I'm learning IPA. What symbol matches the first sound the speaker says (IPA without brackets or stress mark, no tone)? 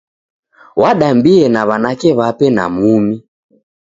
w